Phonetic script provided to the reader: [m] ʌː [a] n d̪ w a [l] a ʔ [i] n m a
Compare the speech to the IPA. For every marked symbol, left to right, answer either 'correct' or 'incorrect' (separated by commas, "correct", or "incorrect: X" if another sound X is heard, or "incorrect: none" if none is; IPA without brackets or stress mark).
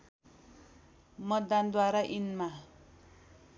correct, correct, incorrect: ɾ, correct